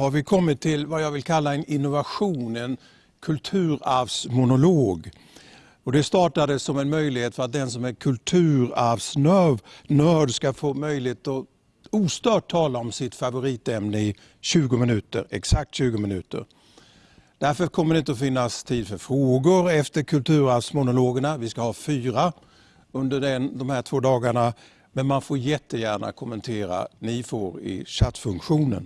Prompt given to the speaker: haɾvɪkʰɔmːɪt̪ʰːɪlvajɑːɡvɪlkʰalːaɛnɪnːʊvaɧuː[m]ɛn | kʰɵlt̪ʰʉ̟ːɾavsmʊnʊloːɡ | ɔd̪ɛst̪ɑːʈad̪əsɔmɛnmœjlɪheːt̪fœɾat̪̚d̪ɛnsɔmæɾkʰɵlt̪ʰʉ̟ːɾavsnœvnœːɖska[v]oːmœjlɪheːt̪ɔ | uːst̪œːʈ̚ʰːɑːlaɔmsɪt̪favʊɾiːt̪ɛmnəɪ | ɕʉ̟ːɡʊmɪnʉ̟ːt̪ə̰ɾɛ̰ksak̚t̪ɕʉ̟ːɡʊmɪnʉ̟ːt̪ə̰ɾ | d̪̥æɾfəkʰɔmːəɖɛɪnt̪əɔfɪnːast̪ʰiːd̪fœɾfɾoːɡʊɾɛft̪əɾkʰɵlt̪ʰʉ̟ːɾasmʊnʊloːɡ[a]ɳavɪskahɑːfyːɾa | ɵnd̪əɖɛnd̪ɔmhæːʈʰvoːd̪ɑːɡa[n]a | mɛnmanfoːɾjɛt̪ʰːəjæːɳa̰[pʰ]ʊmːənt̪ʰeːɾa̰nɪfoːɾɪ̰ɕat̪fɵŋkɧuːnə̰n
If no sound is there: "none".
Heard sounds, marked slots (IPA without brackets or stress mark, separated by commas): n, f, ə, ɳ, kʰ